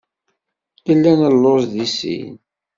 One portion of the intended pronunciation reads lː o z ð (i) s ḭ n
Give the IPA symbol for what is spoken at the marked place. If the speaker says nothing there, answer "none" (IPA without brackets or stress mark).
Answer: i